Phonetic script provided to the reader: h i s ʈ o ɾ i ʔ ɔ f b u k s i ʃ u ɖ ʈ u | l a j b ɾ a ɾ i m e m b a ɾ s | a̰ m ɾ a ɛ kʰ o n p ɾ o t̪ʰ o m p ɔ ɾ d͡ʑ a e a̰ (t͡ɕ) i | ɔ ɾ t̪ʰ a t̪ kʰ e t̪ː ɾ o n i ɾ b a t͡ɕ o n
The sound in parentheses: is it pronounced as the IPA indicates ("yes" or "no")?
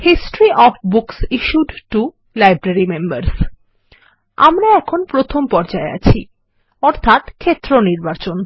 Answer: no